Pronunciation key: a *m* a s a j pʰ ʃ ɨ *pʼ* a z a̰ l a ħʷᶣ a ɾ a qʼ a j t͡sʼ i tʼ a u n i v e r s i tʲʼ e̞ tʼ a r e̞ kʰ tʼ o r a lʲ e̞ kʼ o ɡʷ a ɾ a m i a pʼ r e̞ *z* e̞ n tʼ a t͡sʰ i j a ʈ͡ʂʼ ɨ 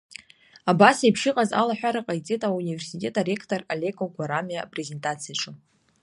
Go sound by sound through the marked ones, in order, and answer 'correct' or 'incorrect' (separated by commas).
incorrect, incorrect, correct